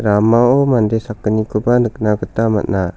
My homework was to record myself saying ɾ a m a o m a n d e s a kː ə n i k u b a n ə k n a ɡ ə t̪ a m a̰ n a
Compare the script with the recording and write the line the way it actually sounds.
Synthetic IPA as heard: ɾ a m a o m a n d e s a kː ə n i k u b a n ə k n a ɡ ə t̪ a m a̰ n a